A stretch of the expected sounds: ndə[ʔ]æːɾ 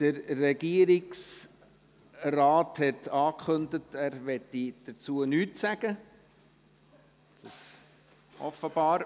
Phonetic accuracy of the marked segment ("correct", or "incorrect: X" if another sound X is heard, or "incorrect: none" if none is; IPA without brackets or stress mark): incorrect: t